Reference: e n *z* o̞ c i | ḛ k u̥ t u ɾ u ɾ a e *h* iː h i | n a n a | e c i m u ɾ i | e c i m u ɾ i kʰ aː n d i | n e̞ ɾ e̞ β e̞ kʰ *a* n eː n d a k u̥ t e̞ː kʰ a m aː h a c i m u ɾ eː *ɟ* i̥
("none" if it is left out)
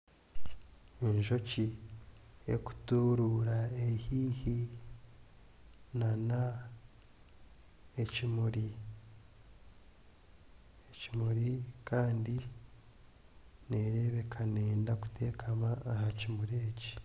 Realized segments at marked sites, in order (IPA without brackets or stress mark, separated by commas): ʒ, h, a, c